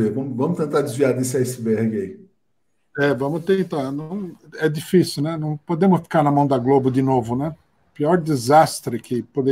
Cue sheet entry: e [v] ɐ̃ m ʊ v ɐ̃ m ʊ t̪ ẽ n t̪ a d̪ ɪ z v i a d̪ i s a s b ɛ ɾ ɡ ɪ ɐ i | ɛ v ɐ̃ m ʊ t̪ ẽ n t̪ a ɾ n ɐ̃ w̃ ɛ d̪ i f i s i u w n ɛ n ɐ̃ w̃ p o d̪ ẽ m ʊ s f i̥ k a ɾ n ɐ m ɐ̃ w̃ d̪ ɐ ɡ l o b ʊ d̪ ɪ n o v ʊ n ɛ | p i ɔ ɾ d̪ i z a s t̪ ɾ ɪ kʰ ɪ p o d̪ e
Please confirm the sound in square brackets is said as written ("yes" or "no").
yes